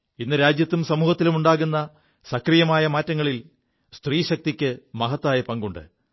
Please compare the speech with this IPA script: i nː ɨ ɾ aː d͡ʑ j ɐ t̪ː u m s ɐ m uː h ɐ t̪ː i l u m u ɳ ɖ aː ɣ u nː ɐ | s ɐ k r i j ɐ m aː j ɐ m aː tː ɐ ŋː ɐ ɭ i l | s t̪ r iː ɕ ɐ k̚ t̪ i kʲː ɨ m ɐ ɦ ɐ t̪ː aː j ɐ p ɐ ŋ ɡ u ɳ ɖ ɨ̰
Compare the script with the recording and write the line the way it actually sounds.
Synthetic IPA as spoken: i nː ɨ ɾ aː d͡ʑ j ɐ t̪ː u m s ɐ m uː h ɐ t̪ː i l u m u ɳ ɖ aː ɣ u nː ɐ | s ɐ k r i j ɐ m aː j ɐ m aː tː ɐ ŋː ɐ ɭ i l | s t̪ r iː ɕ ɐ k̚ t̪ i kʲː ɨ m ɐ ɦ ɐ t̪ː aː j ɐ p ɐ ŋ ɡ u ɳ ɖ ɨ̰